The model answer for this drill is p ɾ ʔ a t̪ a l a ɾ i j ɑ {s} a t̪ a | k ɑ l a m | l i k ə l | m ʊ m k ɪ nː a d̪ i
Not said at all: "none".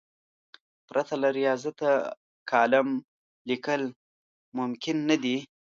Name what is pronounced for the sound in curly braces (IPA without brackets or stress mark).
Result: z